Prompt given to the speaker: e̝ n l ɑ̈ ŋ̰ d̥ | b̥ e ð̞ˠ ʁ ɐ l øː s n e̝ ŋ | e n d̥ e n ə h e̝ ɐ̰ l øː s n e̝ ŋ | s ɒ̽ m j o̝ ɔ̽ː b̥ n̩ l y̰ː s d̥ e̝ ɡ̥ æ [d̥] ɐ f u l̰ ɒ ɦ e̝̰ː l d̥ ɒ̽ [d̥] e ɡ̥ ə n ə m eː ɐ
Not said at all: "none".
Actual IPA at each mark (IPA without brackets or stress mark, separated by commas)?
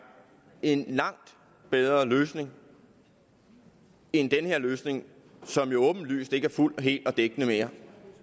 none, d̥